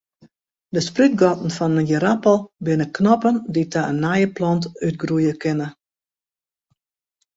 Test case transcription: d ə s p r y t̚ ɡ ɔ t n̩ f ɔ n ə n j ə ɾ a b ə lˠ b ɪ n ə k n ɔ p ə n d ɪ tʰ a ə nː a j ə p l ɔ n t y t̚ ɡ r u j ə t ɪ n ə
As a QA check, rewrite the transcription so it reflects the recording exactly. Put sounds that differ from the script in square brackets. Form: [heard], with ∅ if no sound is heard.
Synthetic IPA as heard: d ə s p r y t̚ ɡ ɔ t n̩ f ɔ n ə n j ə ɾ a [p] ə lˠ b ɪ n ə k n ɔ p ə n d [i] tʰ a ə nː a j ə p l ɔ n t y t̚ ɡ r u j ə [k] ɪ n ə